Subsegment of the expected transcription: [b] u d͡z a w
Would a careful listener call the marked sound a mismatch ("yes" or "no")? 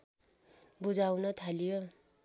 no